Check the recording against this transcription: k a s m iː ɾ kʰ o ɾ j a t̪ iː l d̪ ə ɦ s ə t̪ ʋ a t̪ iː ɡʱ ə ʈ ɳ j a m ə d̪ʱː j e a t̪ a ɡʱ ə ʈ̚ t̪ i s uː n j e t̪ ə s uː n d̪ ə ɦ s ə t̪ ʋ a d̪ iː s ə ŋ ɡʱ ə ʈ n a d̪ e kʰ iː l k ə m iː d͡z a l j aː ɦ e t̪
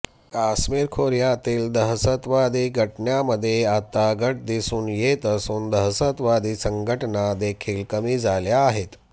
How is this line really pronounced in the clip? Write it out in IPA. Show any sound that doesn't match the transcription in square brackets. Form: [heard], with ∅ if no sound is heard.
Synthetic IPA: k a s m iː ɾ kʰ o ɾ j a t̪ iː l d̪ ə ɦ s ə t̪ ʋ a [d̪] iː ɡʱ ə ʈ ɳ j a m ə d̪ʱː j e a t̪ a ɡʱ ə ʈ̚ [d̪] i s uː n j e t̪ ə s uː n d̪ ə ɦ s ə t̪ ʋ a d̪ iː s ə ŋ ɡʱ ə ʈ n a d̪ e kʰ iː l k ə m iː d͡z a l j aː ɦ e t̪